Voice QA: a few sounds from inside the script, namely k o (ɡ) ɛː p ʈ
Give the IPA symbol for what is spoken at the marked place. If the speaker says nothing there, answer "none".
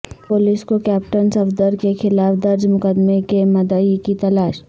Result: k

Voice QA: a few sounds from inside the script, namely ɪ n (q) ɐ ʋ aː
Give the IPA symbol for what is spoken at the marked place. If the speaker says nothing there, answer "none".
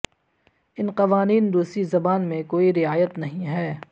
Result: q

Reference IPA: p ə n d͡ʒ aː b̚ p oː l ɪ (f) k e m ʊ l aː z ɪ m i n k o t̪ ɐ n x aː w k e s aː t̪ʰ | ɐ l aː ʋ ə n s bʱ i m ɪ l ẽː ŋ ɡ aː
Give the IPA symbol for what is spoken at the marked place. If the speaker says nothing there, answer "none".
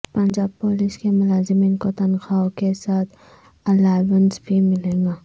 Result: s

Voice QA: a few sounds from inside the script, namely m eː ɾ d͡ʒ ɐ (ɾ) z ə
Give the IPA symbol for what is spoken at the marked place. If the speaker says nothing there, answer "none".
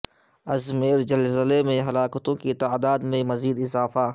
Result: l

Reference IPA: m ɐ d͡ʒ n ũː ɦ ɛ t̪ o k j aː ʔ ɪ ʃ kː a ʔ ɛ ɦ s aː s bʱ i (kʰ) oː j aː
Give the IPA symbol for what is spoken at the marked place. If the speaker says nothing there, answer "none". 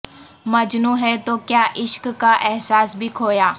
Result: kʰ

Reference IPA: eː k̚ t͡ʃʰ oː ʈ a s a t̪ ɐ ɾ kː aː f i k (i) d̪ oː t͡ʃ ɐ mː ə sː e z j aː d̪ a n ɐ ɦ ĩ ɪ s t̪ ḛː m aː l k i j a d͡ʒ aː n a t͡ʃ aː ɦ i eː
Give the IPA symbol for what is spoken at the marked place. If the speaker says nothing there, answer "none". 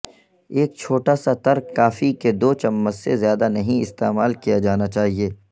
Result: e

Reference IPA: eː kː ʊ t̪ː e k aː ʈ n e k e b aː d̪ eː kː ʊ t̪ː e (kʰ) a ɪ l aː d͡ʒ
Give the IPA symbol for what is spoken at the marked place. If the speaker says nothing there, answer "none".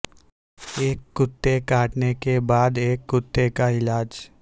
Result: k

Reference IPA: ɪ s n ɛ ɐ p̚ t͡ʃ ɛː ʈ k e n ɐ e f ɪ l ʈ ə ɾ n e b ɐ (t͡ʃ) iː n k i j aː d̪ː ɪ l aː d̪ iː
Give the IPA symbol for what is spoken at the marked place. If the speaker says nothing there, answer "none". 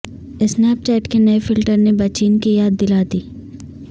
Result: t͡ʃ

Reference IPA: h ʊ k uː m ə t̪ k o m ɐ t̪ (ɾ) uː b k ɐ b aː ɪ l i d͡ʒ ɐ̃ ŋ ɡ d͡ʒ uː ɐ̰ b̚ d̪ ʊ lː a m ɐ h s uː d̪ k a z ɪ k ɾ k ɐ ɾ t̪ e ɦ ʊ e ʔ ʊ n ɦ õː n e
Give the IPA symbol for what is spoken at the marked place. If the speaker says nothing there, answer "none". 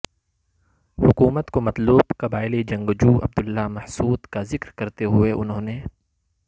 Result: l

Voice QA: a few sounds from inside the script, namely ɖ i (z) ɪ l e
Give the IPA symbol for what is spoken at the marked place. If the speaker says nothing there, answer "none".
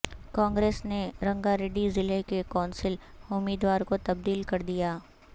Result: z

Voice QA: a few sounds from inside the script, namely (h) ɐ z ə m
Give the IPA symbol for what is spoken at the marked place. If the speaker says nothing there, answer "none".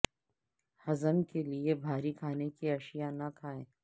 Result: h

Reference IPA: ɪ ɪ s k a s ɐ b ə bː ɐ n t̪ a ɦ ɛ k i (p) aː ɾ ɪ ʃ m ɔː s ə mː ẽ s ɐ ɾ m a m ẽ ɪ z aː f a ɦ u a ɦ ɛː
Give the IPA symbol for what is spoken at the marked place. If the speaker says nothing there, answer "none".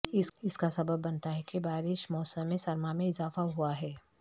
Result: b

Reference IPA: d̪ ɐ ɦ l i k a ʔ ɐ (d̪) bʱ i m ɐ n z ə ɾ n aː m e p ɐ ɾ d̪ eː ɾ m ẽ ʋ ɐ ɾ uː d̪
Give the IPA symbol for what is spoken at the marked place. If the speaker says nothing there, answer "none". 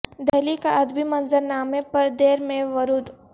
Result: d̪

